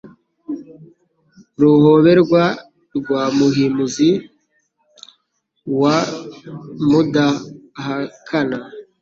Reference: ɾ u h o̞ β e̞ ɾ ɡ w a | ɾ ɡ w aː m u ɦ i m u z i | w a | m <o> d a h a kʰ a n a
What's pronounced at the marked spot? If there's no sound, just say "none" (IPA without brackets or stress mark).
u